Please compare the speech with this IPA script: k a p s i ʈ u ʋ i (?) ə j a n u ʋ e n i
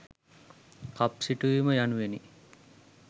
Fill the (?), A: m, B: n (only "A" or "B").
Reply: A